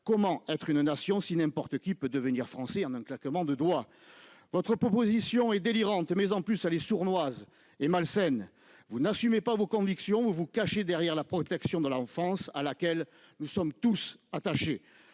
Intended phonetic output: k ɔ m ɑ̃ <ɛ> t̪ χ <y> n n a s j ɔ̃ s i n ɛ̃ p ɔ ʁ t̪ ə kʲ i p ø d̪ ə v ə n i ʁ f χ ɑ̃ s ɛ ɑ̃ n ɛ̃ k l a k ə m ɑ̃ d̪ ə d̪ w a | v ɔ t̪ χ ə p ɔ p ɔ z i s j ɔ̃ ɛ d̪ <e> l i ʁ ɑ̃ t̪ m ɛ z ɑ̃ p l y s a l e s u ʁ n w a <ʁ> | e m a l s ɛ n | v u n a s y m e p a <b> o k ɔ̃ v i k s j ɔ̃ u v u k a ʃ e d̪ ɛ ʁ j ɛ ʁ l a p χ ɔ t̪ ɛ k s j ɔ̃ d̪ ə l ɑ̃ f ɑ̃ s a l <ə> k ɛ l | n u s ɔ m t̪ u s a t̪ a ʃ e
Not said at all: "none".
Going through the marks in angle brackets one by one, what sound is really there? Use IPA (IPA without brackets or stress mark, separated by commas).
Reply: ɛ, y, e, z, v, a